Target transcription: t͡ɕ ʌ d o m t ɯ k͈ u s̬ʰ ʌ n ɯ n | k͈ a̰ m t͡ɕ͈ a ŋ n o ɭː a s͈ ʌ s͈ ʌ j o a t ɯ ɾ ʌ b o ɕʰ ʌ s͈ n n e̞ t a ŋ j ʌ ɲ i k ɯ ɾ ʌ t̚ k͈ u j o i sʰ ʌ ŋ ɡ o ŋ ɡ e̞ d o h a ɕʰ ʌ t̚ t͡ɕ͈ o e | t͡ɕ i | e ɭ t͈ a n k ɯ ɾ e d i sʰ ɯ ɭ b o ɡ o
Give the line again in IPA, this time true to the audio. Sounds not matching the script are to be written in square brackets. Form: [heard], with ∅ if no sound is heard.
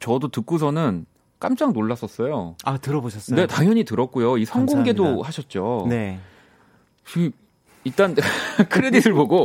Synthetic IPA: t͡ɕ ʌ d o [∅] t ɯ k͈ u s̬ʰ ʌ n ɯ n | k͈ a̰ m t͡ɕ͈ a ŋ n o ɭː a s͈ ʌ s͈ ʌ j o a t ɯ ɾ ʌ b o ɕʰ ʌ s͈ n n e̞ t a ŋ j ʌ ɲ i [t] ɯ ɾ ʌ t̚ k͈ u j o i sʰ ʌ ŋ ɡ o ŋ ɡ e̞ d o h a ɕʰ ʌ t̚ t͡ɕ͈ o e | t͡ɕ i | [i] ɭ t͈ a n [kʰ] ɯ ɾ e d i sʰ ɯ ɭ b o ɡ o